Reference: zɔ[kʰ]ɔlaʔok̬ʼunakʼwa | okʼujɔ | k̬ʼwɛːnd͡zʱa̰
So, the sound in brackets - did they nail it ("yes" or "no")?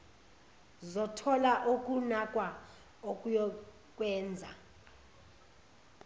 no